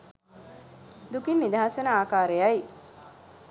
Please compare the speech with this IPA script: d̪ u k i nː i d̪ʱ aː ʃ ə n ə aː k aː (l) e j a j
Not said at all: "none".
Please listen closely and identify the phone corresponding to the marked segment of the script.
ɾ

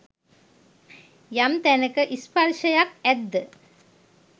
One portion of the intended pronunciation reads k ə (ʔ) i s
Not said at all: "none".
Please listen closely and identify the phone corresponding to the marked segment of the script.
ʔ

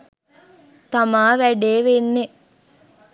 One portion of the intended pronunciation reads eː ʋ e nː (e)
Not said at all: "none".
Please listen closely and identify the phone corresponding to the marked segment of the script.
e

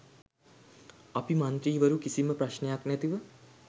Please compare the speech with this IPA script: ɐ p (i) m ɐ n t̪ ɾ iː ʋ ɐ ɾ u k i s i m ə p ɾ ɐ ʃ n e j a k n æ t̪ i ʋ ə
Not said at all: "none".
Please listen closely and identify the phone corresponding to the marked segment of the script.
i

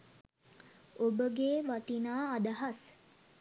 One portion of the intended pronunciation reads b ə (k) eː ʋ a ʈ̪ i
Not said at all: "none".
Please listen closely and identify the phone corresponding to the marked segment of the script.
ɡ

